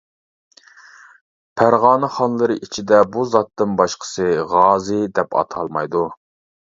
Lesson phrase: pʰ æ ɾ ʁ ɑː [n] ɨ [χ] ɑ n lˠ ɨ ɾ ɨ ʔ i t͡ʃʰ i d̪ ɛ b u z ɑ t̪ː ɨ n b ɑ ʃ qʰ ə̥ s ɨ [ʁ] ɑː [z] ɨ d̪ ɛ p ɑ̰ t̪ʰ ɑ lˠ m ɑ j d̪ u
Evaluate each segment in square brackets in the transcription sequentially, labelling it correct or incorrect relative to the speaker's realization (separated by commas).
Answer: correct, correct, correct, correct